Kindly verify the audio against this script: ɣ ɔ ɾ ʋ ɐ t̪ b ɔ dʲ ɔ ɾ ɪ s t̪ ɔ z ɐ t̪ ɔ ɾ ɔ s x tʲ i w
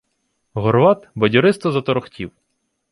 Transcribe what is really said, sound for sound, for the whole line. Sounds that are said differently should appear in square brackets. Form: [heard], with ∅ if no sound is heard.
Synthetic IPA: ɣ ɔ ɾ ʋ [ɑ] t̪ b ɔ dʲ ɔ ɾ ɪ s t̪ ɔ z ɐ t̪ ɔ ɾ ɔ [∅] x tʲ i w